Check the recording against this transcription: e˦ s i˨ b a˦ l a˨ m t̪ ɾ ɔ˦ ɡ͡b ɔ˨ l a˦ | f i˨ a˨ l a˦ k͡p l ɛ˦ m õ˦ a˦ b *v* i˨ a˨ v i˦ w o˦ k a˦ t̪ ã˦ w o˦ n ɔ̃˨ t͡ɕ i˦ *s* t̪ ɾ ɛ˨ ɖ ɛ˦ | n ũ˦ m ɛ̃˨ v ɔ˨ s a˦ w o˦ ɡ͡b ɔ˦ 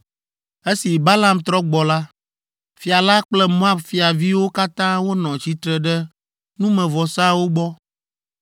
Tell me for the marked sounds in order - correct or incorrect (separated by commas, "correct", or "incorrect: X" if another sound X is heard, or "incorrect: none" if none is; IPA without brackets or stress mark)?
incorrect: f, incorrect: none